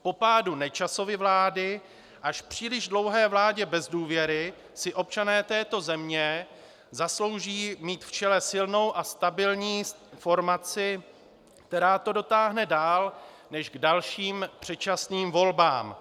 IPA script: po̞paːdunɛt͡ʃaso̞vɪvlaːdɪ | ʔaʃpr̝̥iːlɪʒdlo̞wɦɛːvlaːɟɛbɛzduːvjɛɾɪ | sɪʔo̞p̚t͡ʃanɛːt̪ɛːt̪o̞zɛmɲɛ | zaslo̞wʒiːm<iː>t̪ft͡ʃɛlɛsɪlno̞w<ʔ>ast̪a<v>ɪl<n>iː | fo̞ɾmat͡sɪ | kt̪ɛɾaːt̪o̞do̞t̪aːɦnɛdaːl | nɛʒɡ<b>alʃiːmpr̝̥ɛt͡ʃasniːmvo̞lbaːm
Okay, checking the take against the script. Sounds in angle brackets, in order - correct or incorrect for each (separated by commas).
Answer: correct, correct, incorrect, incorrect, incorrect